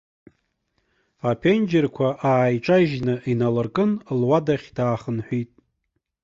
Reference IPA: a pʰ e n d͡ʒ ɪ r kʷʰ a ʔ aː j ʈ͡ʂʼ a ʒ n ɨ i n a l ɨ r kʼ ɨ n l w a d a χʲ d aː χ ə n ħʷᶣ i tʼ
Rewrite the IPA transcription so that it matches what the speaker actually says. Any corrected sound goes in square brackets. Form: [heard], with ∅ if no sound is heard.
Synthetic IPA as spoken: a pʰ e n d͡ʒ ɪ r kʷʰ a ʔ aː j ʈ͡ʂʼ a ʒ n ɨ i n a l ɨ r kʼ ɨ n l w a d a χʲ d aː χ ə n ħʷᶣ i tʼ